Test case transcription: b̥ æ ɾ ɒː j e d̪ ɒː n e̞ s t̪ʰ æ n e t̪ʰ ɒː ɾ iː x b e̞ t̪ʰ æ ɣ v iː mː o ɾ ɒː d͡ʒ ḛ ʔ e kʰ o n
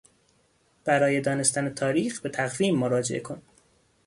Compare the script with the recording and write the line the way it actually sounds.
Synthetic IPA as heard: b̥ æ ɾ ɒː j e d̪ ɒː n e̞ s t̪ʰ æ n e t̪ʰ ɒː ɾ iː x b e̞ t̪ʰ æ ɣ v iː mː o ɾ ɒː d͡ʒ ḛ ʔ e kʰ o n